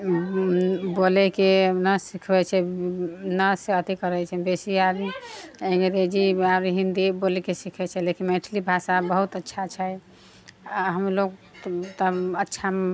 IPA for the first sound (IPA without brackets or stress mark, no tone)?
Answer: b